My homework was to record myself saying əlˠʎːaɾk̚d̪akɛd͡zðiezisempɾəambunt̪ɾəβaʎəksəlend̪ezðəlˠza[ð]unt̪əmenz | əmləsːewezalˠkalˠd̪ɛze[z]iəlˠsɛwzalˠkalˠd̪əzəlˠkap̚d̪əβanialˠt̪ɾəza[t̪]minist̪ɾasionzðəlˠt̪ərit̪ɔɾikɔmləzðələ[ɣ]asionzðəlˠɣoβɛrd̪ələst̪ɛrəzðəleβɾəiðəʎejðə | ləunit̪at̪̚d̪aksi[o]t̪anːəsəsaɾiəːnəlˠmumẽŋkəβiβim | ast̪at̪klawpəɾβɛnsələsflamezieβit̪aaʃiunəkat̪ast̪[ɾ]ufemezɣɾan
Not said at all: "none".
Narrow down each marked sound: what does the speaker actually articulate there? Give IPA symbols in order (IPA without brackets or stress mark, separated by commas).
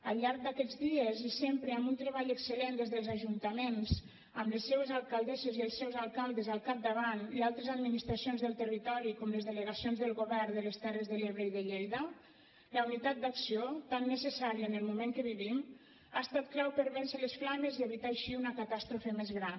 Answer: ʒ, z, d̪, ɣ, o, ɾ